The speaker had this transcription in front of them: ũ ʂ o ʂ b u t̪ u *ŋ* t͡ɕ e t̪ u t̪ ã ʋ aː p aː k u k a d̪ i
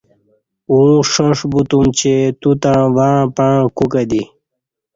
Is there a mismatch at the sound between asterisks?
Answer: yes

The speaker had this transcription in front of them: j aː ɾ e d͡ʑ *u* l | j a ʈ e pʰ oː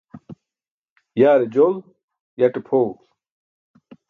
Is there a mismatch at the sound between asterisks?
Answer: yes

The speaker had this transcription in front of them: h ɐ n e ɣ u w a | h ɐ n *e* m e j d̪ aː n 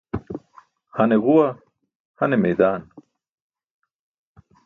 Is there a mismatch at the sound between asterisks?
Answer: no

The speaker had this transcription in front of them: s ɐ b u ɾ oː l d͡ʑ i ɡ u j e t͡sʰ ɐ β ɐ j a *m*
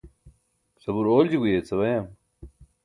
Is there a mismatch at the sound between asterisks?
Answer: no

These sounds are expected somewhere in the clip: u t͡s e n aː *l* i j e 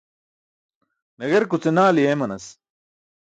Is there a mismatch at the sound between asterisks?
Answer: no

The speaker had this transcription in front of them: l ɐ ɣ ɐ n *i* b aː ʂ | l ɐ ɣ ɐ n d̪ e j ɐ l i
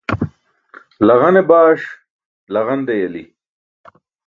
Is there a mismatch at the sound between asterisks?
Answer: yes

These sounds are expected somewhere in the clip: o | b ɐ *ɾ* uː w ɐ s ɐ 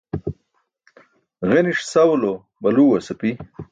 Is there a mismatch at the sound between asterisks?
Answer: yes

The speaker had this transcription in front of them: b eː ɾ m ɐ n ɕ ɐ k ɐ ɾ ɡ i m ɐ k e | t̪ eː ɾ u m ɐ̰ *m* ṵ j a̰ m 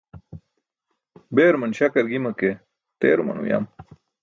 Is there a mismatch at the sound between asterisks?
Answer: yes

